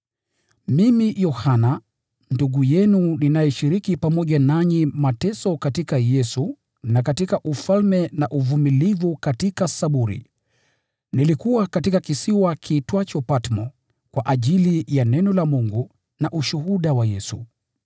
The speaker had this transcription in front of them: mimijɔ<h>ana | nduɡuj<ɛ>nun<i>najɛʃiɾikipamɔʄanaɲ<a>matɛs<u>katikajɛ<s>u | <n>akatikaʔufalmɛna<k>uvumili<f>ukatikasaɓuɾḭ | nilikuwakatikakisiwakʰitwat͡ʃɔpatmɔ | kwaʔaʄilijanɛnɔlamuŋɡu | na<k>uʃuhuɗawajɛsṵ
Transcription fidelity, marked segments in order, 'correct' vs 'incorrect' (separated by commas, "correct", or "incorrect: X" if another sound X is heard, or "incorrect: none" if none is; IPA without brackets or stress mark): correct, correct, correct, incorrect: i, incorrect: ɔ, correct, correct, incorrect: ʔ, incorrect: v, incorrect: ʔ